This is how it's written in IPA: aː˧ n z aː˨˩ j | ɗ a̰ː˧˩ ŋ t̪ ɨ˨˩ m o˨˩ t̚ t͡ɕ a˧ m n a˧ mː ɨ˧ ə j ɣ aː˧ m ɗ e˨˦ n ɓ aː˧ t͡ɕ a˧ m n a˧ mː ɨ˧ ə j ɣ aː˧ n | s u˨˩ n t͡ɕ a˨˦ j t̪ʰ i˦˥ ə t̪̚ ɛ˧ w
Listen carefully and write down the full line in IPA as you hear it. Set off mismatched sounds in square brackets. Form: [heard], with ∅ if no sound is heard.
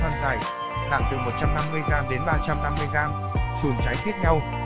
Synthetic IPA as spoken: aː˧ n z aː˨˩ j | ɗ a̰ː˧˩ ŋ t̪ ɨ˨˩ m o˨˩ t̚ t͡ɕ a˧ m n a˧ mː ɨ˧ ə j ɣ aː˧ m ɗ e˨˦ n ɓ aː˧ t͡ɕ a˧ m n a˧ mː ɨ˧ ə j ɣ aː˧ [m] | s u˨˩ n t͡ɕ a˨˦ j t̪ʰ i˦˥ ə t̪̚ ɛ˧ w